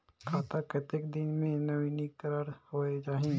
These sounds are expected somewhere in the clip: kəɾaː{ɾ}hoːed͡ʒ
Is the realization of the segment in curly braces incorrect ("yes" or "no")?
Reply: no